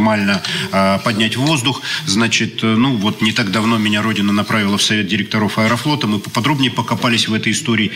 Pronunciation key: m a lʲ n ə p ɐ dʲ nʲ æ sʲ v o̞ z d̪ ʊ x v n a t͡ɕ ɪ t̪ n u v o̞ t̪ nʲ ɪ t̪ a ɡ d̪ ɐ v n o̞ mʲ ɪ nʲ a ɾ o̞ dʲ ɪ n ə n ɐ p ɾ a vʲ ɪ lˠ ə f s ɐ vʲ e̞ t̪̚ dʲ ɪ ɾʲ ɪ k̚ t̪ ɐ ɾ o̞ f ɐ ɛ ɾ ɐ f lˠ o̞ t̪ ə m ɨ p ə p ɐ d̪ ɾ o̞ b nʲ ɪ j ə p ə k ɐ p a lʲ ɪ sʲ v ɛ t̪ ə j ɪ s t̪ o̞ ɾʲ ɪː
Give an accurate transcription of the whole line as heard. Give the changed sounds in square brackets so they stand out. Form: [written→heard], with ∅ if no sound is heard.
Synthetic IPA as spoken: m a lʲ n ə p ɐ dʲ nʲ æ [sʲ→tʲ] v o̞ z d̪ ʊ x [v→z] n a t͡ɕ ɪ t̪ n u v o̞ t̪ nʲ ɪ t̪ a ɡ d̪ ɐ v n o̞ mʲ ɪ nʲ a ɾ o̞ dʲ ɪ n ə n ɐ p ɾ a vʲ ɪ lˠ ə f s ɐ vʲ e̞ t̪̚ dʲ ɪ ɾʲ ɪ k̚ t̪ ɐ ɾ o̞ f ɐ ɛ ɾ ɐ f lˠ o̞ t̪ ə m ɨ p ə p ɐ d̪ ɾ o̞ b nʲ ɪ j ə p ə k ɐ p a lʲ ɪ sʲ v ɛ t̪ ə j ɪ s t̪ o̞ ɾʲ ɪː